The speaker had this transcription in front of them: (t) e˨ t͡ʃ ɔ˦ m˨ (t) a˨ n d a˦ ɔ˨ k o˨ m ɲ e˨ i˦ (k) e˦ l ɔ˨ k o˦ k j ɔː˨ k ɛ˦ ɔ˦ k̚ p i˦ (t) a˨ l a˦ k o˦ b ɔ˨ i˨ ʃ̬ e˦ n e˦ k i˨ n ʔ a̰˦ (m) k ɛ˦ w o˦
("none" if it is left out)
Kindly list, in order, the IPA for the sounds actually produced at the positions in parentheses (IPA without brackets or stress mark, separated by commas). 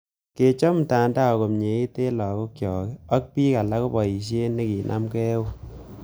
k, t, t, k, m